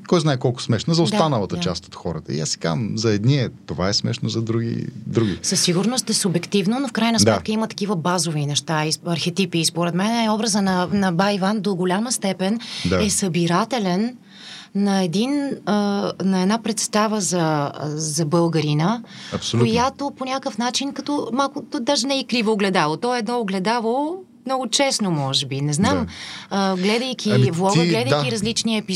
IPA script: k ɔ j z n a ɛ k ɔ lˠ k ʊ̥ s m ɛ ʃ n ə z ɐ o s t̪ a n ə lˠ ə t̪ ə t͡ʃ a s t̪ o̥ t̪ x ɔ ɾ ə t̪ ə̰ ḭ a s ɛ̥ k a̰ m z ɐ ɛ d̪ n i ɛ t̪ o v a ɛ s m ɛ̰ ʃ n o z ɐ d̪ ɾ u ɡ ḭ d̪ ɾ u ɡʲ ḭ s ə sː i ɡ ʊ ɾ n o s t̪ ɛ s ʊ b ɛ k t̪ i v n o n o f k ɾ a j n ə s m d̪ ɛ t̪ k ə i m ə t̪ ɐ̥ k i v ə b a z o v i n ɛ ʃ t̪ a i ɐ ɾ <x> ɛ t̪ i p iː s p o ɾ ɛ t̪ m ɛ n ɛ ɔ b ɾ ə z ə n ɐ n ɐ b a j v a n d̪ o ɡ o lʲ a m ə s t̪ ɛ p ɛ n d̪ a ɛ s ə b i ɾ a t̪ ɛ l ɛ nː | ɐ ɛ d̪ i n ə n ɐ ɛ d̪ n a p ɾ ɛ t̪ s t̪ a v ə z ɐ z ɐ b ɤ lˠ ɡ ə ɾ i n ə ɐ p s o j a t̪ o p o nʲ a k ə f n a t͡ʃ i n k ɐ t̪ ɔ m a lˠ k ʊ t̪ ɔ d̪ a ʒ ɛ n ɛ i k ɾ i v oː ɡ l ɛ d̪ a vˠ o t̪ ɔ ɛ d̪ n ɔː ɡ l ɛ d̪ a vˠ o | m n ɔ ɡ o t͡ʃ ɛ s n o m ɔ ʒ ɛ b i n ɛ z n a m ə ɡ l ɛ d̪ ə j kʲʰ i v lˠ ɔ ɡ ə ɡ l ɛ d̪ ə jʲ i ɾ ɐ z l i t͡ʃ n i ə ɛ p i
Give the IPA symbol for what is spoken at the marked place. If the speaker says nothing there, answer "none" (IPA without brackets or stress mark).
x